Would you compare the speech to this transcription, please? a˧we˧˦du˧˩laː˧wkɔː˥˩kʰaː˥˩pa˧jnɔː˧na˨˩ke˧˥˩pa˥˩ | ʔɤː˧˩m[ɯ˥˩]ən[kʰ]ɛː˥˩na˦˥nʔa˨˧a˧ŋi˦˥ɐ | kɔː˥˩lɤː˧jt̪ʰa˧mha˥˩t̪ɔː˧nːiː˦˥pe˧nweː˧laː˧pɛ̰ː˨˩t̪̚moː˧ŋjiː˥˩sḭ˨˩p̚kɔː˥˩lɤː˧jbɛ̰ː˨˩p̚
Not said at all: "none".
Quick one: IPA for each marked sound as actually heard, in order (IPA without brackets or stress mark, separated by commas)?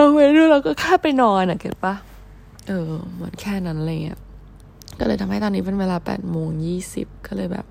ɯ˩˦, kʰ